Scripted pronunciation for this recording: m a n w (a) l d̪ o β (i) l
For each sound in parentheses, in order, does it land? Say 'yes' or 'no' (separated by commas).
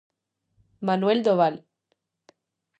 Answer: no, no